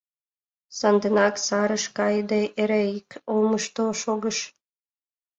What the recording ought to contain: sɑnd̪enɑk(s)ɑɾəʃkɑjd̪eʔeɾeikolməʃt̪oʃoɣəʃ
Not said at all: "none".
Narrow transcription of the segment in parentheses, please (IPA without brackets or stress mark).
s